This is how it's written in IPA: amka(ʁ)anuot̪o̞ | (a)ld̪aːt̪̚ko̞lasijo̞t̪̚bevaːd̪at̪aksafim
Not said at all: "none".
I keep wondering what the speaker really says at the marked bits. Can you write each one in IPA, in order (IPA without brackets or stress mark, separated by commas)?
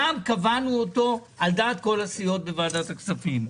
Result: v, a